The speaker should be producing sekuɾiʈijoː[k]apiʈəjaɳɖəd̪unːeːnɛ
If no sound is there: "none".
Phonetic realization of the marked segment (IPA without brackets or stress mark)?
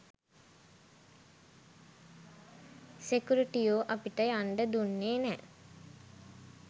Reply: ʔ